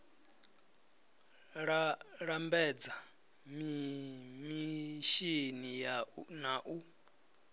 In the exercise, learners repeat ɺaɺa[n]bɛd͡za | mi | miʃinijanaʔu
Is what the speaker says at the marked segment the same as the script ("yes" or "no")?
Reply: no